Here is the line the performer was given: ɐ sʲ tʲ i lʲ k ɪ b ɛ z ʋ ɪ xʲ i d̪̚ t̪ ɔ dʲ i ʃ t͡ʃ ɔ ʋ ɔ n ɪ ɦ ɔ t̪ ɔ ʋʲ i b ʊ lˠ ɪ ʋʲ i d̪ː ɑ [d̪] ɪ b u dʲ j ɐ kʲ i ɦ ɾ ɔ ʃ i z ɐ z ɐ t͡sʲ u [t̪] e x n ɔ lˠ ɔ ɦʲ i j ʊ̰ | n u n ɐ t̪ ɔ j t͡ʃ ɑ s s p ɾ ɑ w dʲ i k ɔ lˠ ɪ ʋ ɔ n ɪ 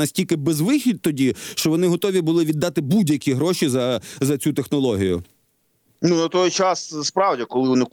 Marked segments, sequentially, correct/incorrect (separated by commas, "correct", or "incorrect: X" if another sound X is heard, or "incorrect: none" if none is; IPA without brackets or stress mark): incorrect: t̪, correct